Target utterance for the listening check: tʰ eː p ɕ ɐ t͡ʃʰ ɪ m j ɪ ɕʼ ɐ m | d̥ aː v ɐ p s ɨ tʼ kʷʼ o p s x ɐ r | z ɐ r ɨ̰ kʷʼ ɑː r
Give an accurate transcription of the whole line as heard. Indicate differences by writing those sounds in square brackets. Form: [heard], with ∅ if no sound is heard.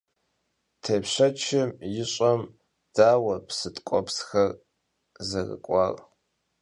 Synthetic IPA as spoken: tʰ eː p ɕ ɐ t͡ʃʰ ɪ m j ɪ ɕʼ ɐ m | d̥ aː [w] ɐ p s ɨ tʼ kʷʼ [ɔ] p s x ɐ r | z ɐ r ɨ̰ kʷʼ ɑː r